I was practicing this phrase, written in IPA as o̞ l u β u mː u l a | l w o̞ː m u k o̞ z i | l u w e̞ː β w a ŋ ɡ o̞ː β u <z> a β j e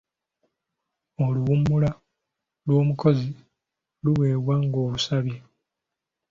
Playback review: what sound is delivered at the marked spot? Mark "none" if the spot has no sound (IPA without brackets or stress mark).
s